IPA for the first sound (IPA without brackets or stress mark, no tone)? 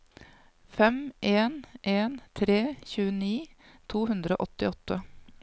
f